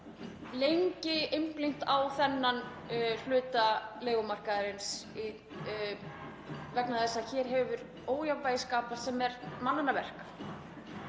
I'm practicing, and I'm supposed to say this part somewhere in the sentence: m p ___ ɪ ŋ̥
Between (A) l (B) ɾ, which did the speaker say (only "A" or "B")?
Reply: A